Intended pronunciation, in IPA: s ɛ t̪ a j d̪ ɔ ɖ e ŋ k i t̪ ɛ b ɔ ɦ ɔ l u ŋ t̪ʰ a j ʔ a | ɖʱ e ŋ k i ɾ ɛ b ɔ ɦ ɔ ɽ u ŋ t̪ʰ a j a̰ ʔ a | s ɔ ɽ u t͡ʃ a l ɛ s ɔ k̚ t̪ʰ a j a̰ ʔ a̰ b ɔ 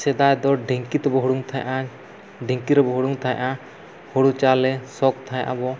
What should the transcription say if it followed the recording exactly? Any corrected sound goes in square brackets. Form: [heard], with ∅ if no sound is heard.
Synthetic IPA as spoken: s ɛ [d̪] a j d̪ ɔ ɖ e ŋ k i t̪ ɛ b ɔ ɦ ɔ [ɽ] u ŋ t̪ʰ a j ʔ a | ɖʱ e ŋ k i ɾ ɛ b ɔ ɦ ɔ ɽ u ŋ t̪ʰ a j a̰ ʔ a | [h] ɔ ɽ u t͡ʃ a l ɛ s ɔ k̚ t̪ʰ a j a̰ ʔ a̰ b ɔ

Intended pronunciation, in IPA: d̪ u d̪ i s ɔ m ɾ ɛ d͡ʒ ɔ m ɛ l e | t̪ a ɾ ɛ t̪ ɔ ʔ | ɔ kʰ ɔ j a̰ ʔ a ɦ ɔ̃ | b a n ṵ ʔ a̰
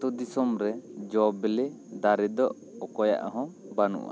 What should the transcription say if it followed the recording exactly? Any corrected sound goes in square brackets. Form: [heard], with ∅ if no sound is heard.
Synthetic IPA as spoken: [t̪] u d̪ i s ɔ m ɾ ɛ d͡ʒ ɔ [b] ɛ l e | [d̪] a ɾ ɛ [d̪] ɔ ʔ | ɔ [k] ɔ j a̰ ʔ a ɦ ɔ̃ | b a n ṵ ʔ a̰

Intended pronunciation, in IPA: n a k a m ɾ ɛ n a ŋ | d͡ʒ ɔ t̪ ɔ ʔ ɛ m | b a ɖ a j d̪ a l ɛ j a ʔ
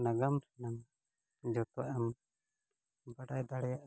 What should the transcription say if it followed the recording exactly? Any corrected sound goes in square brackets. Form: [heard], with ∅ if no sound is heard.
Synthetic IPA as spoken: n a [ɡ] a m ɾ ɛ n a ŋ | d͡ʒ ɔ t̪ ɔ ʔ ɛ m | b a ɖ a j d̪ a [ɽ] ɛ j a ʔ

